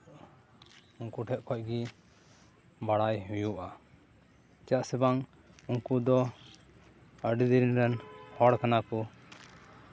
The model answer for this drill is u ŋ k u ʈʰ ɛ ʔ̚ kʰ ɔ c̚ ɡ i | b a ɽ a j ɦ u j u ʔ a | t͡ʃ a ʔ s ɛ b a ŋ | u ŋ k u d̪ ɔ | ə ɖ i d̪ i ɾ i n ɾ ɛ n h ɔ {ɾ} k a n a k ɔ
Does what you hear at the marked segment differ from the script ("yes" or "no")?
yes